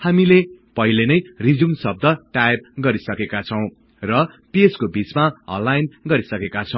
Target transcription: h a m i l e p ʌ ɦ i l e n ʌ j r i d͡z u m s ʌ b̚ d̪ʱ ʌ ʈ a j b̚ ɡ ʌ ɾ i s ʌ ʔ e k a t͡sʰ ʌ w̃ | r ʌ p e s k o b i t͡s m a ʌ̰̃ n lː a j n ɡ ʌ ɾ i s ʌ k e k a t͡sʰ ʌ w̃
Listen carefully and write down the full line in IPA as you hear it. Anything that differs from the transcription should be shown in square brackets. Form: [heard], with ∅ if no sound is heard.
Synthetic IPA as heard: h a m i l e p ʌ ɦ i l e n ʌ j r i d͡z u m s ʌ b̚ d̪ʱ ʌ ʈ a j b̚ ɡ ʌ ɾ i s ʌ [k] e k a t͡sʰ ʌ w̃ | r ʌ p e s k o b i t͡s m a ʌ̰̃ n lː a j n ɡ ʌ ɾ i s ʌ k e k a t͡sʰ ʌ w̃